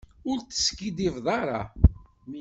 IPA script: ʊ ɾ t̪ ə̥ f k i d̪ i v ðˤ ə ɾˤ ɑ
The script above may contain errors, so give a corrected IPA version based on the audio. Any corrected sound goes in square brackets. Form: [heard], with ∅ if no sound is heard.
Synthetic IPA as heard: ʊ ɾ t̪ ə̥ [s] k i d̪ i v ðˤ [ɑ] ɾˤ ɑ